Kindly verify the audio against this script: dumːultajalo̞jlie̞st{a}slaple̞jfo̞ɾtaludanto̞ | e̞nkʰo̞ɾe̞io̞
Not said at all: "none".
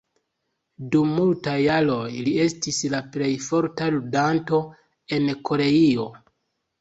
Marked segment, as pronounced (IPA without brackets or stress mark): i